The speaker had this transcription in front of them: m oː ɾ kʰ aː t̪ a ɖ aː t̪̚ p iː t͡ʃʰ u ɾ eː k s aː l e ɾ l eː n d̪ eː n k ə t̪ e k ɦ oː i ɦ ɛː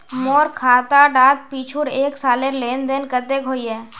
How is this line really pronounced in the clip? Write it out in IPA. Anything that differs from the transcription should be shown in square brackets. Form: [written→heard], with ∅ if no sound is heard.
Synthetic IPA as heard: m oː ɾ kʰ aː t̪ a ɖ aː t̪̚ p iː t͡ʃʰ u ɾ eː k s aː l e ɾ l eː n d̪ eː n k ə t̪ e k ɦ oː i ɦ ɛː